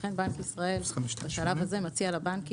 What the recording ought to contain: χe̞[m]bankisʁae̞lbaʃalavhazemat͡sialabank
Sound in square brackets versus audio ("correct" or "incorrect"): incorrect